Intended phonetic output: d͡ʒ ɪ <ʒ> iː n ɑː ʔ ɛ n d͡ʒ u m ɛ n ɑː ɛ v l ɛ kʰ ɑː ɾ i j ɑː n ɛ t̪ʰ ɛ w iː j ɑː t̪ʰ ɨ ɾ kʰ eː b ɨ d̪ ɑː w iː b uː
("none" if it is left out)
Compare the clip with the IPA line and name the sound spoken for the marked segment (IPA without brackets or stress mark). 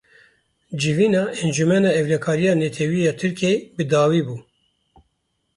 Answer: v